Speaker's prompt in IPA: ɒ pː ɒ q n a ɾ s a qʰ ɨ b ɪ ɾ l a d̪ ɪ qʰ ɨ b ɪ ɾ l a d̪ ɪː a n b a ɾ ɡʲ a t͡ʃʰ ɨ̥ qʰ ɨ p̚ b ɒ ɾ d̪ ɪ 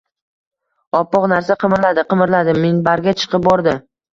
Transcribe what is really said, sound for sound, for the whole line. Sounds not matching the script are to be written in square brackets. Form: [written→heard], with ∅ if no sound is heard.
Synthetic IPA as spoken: ɒ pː ɒ q n a ɾ s a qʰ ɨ [b→m] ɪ ɾ l a d̪ ɪ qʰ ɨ [b→m] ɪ ɾ l a d̪ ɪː [a→e] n b a ɾ ɡʲ a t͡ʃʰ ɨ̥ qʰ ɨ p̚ b ɒ ɾ d̪ ɪ